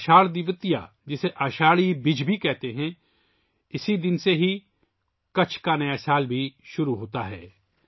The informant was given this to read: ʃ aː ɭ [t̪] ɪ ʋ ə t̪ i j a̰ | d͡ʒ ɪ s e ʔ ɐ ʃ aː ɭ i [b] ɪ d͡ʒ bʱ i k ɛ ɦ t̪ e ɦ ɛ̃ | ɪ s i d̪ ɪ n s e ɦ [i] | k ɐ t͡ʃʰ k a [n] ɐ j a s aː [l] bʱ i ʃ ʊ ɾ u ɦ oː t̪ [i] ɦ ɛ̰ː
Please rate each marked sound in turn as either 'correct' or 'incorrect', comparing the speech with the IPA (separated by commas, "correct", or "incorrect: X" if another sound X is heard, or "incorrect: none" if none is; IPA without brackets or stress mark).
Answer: incorrect: d̪, correct, correct, correct, correct, incorrect: a